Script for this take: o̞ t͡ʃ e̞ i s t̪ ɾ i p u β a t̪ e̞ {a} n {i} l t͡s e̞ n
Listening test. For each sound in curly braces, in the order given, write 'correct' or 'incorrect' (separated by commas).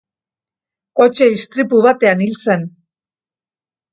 correct, correct